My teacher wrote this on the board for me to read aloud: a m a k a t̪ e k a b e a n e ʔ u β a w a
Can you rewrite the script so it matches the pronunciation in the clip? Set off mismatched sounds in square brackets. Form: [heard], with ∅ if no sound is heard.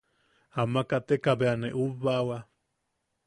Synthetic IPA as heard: a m a k a t̪ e k a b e a n e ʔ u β a w a